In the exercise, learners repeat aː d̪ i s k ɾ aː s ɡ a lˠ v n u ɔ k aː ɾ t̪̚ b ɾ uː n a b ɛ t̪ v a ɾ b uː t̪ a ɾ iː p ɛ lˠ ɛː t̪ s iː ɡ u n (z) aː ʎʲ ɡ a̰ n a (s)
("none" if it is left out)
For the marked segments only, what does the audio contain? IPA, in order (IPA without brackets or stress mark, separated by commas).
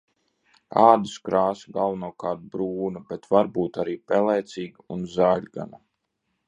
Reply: z, none